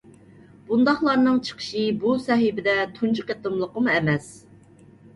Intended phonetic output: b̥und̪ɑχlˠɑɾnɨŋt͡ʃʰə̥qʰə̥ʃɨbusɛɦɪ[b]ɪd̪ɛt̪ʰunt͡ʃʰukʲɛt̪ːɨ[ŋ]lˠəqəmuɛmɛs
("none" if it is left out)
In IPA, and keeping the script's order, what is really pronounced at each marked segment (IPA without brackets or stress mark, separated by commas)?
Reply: b, m